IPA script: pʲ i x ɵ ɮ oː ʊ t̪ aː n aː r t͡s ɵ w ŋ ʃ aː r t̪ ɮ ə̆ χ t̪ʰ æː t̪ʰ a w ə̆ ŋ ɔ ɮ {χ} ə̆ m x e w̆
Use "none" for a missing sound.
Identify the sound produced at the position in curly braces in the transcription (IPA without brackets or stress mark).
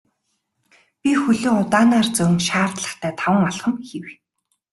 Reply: χ